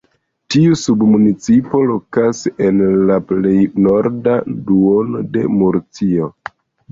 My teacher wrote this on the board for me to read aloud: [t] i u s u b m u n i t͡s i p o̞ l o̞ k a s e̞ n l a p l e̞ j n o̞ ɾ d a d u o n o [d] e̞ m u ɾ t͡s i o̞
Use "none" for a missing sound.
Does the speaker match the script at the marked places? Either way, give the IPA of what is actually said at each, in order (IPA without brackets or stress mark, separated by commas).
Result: t, d